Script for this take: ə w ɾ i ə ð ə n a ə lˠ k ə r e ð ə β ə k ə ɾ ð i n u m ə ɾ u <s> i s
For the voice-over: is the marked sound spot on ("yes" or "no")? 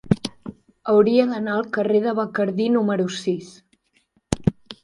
yes